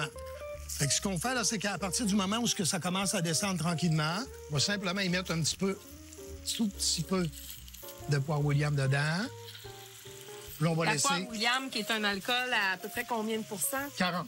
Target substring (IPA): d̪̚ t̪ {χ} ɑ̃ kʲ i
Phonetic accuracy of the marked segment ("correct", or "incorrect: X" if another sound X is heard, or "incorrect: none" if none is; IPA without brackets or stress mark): incorrect: ʁ